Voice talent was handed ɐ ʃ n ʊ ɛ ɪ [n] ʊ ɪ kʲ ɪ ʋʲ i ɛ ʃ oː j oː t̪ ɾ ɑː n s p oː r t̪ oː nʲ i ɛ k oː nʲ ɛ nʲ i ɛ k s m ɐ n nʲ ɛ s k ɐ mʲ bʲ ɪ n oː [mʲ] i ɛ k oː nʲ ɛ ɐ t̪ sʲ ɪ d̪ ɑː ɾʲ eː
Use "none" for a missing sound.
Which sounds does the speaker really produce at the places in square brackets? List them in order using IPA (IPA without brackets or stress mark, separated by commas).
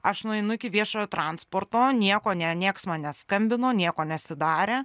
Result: n, nʲ